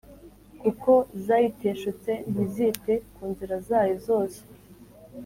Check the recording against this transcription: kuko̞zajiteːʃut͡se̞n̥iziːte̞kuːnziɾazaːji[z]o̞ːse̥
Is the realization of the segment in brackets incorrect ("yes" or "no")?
no